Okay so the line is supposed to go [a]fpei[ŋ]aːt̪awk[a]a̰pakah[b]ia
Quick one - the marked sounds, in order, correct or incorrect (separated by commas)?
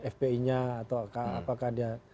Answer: incorrect, incorrect, correct, incorrect